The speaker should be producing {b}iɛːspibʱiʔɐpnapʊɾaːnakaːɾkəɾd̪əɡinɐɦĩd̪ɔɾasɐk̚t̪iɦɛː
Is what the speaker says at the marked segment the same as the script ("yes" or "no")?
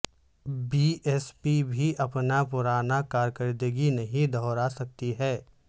yes